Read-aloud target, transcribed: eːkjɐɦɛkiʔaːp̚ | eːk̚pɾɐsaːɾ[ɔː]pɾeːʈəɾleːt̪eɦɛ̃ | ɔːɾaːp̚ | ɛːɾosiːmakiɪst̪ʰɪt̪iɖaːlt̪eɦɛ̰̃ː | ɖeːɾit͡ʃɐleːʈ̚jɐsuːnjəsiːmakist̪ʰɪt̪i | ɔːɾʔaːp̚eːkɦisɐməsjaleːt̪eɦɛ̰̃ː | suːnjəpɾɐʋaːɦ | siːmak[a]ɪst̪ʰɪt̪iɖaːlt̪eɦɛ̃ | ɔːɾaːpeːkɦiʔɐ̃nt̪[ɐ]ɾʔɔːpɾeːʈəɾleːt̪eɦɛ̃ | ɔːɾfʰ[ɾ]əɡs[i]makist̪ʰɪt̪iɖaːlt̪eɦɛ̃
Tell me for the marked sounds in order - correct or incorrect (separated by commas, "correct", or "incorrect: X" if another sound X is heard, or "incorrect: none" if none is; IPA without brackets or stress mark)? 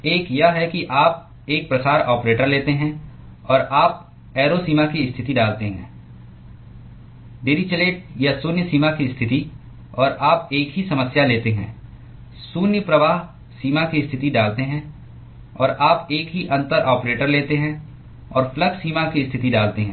correct, incorrect: i, incorrect: ə, incorrect: l, incorrect: iː